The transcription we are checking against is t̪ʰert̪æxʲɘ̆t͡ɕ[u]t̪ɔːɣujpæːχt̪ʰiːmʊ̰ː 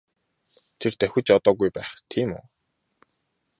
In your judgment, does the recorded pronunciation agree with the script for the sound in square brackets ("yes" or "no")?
no